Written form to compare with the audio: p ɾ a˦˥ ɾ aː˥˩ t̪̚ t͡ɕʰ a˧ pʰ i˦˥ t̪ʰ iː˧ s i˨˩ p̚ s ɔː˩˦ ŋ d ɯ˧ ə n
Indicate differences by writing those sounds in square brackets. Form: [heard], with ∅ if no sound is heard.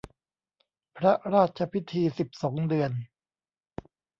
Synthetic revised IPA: [pʰ] ɾ a˦˥ ɾ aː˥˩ t̪̚ t͡ɕʰ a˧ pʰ i˦˥ t̪ʰ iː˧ s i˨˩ p̚ s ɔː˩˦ ŋ d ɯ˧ ə n